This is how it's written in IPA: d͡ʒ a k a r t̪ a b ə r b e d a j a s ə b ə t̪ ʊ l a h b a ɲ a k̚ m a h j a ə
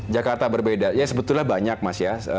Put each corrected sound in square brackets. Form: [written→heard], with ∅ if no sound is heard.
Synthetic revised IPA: d͡ʒ a k a r t̪ a b ə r b e d a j a s ə b ə t̪ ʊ l a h b a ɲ a k̚ m a [h→s] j a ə